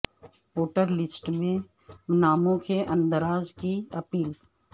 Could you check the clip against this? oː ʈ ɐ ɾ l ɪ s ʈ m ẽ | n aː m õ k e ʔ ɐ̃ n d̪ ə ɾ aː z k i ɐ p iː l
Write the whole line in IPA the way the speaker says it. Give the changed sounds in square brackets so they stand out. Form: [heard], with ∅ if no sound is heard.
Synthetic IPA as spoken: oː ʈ [ə] ɾ l ɪ s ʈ m ẽ | n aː m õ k e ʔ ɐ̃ n d̪ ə ɾ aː z k i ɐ p iː l

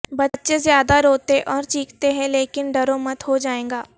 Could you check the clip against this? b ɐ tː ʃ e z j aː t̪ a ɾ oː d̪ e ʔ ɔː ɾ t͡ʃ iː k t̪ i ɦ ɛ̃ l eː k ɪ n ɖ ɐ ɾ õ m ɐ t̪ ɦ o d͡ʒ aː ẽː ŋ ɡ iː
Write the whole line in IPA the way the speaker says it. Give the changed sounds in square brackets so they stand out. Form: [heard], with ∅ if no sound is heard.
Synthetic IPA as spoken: b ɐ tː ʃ e z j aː [d̪] a ɾ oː [t̪] e ʔ ɔː ɾ t͡ʃ iː k t̪ [e] ɦ ɛ̃ l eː k ɪ n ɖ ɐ ɾ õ m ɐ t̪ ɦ o d͡ʒ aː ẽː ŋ ɡ [aː]

